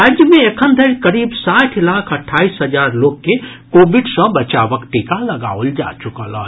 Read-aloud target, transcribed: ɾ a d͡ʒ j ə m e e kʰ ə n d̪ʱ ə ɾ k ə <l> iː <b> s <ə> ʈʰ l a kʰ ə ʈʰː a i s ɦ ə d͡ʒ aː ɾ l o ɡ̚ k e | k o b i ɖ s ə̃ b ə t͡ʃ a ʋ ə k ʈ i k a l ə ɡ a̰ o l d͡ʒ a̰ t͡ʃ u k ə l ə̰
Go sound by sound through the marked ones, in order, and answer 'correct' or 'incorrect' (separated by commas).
incorrect, correct, incorrect